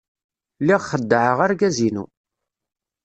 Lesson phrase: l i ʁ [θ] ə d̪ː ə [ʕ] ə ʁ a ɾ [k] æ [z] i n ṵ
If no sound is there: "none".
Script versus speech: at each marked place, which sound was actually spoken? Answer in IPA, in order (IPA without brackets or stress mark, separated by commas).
χ, ʕ, ɡ, z